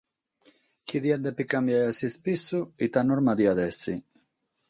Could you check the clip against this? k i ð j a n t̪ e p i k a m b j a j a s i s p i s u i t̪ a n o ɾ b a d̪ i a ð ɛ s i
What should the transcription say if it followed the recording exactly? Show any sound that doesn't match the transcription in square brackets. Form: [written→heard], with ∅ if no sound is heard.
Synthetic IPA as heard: k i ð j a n [t̪→d̪] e p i k a m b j a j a s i s p i s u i t̪ a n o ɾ [b→m] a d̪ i a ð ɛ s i